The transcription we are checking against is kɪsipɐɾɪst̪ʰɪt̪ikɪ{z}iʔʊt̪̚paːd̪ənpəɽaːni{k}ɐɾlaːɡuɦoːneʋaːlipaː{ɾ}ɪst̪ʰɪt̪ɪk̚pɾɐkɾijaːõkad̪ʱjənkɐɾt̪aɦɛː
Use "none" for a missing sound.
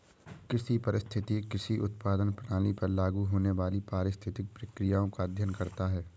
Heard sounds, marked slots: s, p, ɾ

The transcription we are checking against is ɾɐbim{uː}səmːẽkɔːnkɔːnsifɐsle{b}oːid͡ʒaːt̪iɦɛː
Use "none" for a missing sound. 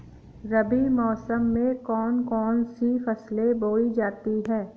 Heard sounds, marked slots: ɔː, b

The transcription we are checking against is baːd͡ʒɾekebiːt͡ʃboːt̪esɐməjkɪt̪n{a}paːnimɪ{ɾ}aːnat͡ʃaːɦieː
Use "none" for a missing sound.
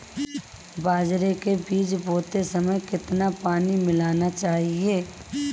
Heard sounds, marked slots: a, l

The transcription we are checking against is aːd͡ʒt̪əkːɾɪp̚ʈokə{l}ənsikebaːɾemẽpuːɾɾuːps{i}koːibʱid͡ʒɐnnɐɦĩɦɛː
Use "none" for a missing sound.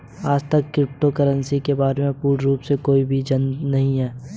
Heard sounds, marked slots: ɾ, e

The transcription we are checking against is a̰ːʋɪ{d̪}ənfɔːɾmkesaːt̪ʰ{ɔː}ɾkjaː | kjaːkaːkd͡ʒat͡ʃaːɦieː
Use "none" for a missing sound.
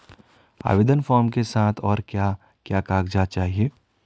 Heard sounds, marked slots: d̪, ɔː

